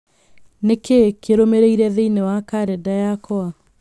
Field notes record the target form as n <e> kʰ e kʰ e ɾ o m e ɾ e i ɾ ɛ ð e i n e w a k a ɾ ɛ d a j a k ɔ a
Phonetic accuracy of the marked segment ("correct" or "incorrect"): correct